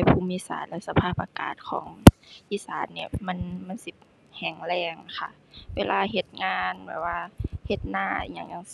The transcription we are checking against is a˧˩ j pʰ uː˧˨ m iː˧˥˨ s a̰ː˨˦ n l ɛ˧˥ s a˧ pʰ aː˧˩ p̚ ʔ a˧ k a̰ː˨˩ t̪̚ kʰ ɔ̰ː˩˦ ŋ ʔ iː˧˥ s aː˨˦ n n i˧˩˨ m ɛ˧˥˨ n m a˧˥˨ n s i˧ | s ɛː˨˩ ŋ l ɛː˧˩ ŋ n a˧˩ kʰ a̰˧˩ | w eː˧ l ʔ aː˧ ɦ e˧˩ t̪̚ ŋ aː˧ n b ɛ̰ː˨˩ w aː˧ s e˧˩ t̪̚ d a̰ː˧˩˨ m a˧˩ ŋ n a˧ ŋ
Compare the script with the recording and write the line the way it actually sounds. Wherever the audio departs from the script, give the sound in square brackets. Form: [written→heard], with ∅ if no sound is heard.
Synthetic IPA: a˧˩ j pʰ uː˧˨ m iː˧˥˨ s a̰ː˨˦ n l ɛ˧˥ s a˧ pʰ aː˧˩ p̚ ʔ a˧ k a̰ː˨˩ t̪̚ kʰ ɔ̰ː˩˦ ŋ ʔ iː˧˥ s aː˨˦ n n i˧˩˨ m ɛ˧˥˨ n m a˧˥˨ n s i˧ | [s→h] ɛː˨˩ ŋ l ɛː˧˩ ŋ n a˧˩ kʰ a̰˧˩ | w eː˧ l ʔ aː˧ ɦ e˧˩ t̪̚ ŋ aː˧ n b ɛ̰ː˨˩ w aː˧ [s→h] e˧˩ t̪̚ [d→n] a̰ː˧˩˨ [m→ɲ] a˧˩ ŋ [n→ɲ] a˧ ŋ